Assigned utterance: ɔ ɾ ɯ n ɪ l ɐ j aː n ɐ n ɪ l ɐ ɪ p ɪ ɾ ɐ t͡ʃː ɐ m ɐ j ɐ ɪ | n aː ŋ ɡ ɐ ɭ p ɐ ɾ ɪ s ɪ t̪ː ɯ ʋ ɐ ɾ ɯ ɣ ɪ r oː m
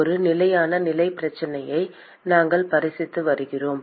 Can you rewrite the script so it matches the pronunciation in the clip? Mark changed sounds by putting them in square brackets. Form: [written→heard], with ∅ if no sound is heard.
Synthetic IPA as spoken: ɔ ɾ ɯ n ɪ l ɐ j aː n ɐ n ɪ l ɐ ɪ p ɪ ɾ ɐ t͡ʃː ɐ [m→n] ɐ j ɐ ɪ | n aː ŋ ɡ ɐ ɭ p ɐ ɾ ɪ s ɪ t̪ː ɯ ʋ ɐ ɾ ɯ ɣ ɪ r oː m

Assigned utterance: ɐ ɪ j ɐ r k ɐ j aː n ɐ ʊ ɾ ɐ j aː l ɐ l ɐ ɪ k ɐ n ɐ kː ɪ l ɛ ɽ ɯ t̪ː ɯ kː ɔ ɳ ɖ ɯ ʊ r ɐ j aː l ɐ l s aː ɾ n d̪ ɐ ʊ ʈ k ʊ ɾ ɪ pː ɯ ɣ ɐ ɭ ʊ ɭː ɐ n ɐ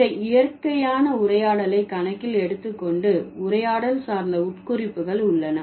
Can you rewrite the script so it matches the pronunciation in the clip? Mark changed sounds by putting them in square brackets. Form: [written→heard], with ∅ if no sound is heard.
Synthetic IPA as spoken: ɐ ɪ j ɐ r k ɐ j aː n ɐ ʊ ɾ ɐ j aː [l→ɽ] ɐ l ɐ ɪ k ɐ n ɐ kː ɪ l ɛ ɽ ɯ t̪ː ɯ kː ɔ ɳ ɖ ɯ ʊ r ɐ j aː [l→ɽ] ɐ l s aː ɾ n d̪ ɐ ʊ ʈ k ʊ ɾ ɪ pː ɯ ɣ ɐ ɭ ʊ ɭː ɐ n ɐ

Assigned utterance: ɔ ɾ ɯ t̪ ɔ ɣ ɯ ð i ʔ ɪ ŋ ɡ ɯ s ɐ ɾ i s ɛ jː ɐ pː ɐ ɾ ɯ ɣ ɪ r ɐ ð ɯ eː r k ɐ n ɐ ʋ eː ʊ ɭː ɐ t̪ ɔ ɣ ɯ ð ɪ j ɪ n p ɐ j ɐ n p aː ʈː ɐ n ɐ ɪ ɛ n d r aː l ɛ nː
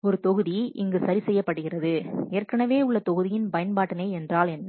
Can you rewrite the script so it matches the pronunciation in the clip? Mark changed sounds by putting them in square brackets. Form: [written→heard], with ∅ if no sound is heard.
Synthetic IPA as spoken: ɔ ɾ ɯ t̪ ɔ ɣ ɯ ð i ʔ ɪ ŋ ɡ ɯ s ɐ ɾ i s ɛ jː ɐ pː ɐ [ɾ→ɽ] ɯ ɣ ɪ r ɐ ð ɯ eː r k ɐ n ɐ ʋ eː ʊ ɭː ɐ t̪ ɔ ɣ ɯ ð ɪ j ɪ n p ɐ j ɐ n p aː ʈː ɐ n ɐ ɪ ɛ n d r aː l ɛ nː

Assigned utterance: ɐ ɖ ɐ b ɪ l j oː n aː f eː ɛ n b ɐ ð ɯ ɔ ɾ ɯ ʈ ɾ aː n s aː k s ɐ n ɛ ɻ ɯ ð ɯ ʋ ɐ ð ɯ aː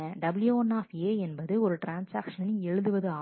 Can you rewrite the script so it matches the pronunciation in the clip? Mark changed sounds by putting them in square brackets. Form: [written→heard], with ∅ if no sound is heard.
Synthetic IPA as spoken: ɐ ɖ ɐ b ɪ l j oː n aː f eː ɛ n b ɐ ð ɯ ɔ ɾ ɯ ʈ ɾ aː n s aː k [s→ʂ] ɐ n ɛ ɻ ɯ ð ɯ ʋ ɐ ð ɯ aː

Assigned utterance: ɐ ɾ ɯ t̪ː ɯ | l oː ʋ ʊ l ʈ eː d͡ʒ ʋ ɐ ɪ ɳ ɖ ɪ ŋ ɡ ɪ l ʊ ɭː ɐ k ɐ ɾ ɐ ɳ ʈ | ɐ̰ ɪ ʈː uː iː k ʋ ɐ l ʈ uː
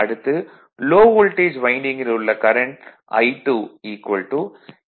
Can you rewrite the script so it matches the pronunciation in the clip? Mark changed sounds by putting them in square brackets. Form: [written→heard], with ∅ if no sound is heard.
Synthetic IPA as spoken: ɐ [ɾ→ɽ] ɯ t̪ː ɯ | l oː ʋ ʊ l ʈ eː d͡ʒ ʋ ɐ ɪ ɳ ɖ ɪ ŋ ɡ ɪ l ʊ ɭː ɐ k ɐ ɾ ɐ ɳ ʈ | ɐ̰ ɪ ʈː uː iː k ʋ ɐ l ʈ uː

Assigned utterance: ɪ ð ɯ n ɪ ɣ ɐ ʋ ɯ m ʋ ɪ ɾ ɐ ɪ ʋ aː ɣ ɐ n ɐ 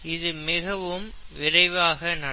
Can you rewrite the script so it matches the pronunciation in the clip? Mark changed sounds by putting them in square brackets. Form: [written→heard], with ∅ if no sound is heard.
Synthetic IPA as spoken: ɪ ð ɯ [n→m] ɪ ɣ ɐ ʋ ɯ m ʋ ɪ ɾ ɐ ɪ ʋ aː ɣ ɐ n ɐ

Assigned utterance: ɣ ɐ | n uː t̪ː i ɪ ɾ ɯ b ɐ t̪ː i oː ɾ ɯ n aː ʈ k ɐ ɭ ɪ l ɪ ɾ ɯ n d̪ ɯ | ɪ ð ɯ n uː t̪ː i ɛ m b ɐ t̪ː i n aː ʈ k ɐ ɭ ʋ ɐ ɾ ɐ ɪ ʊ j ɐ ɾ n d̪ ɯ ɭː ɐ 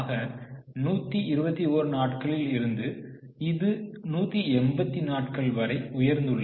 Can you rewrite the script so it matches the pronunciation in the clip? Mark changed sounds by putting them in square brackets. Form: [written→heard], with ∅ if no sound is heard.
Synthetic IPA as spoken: ɣ ɐ | n uː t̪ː i ɪ ɾ ɯ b ɐ t̪ː i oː ɾ ɯ n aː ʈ k ɐ ɭ ɪ l ɪ ɾ ɯ n d̪ ɯ | ɪ ð ɯ n uː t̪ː i ɛ m b ɐ t̪ː i n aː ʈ k ɐ ɭ ʋ ɐ ɾ ɐ ɪ ʊ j ɐ ɾ n d̪ ɯ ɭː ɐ

